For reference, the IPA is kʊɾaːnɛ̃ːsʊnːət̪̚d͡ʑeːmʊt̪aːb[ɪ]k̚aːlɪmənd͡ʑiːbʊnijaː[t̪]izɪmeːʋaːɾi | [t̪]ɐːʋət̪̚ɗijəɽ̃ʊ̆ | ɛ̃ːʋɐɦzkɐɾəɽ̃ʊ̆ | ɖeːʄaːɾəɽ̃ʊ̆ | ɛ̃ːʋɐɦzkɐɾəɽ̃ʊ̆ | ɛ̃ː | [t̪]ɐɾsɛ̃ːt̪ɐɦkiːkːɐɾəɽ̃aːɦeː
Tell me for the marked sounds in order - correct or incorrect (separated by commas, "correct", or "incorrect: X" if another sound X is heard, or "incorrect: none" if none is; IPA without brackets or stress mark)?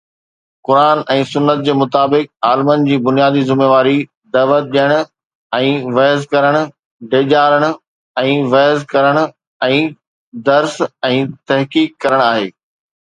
correct, incorrect: d̪, incorrect: d̪, incorrect: d̪